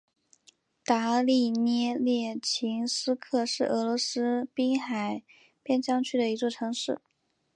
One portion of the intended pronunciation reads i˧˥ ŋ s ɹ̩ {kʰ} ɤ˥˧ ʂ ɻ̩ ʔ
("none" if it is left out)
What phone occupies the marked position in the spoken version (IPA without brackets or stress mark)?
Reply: kʰ